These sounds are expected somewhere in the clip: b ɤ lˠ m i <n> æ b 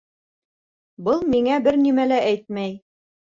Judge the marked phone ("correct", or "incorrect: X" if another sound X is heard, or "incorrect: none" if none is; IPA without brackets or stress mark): incorrect: ŋ